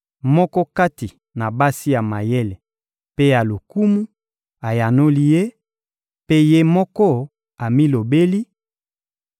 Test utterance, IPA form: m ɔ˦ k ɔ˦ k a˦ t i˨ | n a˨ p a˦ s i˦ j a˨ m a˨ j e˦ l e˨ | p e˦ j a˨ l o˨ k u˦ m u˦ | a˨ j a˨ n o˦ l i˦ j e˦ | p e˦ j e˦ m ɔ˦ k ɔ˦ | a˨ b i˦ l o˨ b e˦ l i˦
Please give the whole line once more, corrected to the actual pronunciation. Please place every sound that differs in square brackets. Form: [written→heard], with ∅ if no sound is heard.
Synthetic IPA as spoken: m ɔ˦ k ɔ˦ k a˦ t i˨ | n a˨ [p→b] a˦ s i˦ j a˨ m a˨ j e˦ l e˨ | p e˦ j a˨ l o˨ k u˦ m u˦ | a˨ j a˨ n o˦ l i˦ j e˦ | p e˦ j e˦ m ɔ˦ k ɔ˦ | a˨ [b→m] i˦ l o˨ b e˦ l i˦